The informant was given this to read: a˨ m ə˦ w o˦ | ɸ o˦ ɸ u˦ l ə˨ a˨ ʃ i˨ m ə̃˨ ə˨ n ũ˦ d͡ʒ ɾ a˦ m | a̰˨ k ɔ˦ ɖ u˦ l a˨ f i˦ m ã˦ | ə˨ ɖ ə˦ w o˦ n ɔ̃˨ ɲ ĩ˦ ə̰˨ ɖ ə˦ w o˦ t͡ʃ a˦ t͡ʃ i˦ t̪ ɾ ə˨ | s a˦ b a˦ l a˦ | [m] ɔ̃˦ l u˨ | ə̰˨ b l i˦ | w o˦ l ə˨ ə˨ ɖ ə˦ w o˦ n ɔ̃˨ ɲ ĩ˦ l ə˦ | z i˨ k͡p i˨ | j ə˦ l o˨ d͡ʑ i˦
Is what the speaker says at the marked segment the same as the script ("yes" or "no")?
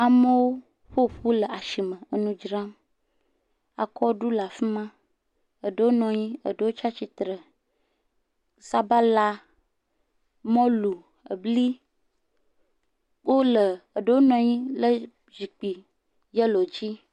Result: yes